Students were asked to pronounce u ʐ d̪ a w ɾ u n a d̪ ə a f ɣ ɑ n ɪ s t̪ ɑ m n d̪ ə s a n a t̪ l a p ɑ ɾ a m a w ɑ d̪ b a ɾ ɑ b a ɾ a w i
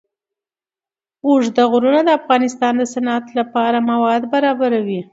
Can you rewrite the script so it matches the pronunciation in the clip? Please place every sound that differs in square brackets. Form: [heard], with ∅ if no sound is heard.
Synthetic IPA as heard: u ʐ d̪ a [ɣ] ɾ u n a d̪ ə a f ɣ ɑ n ɪ s t̪ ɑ [∅] n d̪ ə s a n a t̪ l a p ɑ ɾ a m a w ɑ d̪ b a ɾ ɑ b a ɾ a w i